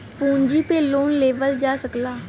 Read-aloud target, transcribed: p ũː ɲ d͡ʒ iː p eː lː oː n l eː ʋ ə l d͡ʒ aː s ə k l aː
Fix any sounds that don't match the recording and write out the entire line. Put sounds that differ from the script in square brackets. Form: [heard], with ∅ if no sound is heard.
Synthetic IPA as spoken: p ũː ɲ d͡ʒ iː p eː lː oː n l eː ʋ ə l d͡ʒ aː s ə k l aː